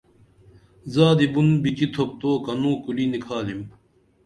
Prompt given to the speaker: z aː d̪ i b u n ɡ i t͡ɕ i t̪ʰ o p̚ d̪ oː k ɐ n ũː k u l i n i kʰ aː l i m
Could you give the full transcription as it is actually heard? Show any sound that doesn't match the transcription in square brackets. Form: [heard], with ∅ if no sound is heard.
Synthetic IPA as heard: z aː d̪ i b u n [b] i t͡ɕ i t̪ʰ o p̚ [t̪] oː k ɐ n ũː k u l i n i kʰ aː l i m